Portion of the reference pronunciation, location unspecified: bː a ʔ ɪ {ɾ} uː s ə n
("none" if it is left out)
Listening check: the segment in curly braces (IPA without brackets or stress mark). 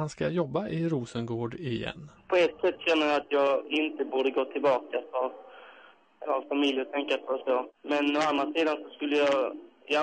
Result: ɾ